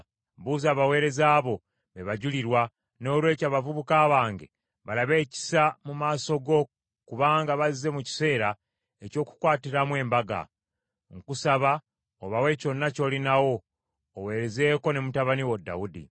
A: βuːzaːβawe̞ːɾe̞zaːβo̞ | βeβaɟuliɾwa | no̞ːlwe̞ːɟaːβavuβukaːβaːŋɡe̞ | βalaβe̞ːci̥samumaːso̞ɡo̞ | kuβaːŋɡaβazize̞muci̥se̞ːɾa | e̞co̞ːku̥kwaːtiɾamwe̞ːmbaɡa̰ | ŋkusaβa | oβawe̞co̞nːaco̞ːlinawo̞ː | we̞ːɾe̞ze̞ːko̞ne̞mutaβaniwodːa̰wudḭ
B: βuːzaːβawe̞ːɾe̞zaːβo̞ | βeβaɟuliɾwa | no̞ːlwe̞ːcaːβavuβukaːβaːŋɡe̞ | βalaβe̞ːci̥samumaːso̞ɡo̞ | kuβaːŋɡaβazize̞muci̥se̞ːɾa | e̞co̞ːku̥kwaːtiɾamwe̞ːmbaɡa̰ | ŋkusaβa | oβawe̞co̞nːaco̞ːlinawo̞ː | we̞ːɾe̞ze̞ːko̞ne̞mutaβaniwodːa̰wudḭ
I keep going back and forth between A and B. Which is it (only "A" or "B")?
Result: B